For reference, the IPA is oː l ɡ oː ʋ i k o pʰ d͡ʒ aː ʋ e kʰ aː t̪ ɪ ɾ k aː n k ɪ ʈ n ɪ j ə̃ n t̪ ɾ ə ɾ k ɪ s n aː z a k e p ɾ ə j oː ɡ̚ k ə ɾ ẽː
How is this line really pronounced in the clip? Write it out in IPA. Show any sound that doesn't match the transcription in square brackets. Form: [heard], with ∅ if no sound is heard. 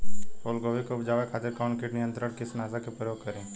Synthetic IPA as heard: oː l ɡ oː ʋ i k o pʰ d͡ʒ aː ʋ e kʰ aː t̪ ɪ ɾ k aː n k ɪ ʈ n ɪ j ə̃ n t̪ ɾ ə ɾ k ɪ s n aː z a k e p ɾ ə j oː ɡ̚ k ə ɾ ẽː